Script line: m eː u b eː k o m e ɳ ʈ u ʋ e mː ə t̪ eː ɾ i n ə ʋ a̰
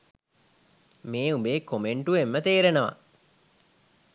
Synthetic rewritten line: m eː u b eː k o m e ɳ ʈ u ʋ e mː ə t̪ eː ɾ e n ə ʋ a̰